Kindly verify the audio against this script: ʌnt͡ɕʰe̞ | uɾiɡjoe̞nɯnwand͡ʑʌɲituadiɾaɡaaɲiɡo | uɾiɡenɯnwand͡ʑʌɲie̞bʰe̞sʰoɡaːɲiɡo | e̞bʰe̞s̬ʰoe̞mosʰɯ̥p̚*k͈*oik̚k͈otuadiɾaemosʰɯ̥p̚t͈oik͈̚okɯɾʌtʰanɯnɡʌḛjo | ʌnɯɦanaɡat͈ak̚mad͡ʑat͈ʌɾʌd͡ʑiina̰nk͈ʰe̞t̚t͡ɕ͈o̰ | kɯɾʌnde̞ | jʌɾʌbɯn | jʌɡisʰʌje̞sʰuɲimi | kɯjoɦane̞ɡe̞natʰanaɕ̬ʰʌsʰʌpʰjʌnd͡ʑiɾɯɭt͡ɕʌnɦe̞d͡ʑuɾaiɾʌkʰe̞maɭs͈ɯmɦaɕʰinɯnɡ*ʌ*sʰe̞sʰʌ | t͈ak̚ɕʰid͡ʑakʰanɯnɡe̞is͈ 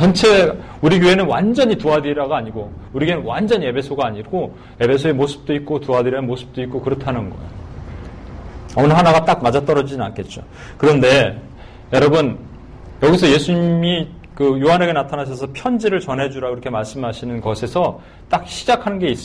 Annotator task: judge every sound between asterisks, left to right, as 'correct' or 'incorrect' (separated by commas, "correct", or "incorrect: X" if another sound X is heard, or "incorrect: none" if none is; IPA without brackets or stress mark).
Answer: incorrect: t͈, correct